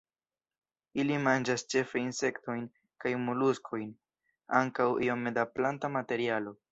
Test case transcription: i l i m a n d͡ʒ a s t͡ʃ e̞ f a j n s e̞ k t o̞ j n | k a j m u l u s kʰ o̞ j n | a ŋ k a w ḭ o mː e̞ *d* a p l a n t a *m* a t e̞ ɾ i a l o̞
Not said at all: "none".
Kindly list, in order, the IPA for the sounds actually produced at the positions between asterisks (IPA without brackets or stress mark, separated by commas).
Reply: d, m